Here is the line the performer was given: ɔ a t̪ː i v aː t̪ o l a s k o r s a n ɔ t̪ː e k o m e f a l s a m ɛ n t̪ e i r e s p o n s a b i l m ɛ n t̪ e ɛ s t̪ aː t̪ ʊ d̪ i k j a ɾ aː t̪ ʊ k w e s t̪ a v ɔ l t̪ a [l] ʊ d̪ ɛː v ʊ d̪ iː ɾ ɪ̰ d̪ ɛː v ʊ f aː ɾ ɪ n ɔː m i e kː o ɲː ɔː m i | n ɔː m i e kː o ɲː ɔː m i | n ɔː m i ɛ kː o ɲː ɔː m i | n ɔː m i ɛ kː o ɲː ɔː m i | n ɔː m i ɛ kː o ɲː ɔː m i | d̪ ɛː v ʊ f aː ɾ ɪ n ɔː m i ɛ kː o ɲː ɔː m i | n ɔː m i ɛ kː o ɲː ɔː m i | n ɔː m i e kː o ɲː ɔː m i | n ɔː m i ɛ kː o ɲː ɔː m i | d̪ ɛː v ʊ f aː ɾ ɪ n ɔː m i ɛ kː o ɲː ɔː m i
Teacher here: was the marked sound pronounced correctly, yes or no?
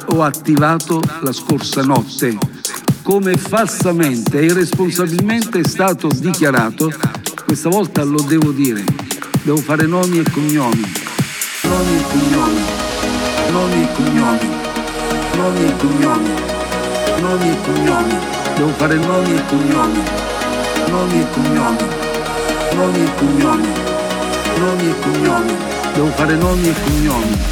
yes